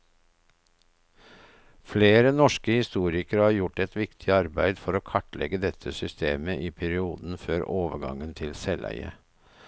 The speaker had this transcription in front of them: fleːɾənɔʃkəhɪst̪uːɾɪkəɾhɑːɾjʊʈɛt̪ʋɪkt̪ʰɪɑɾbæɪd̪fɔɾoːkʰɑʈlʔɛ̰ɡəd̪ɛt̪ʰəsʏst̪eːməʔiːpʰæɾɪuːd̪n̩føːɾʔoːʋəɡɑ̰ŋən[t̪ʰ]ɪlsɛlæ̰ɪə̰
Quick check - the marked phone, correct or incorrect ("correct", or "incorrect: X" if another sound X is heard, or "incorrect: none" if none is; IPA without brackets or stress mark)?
correct